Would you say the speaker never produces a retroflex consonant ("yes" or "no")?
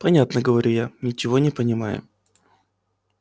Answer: yes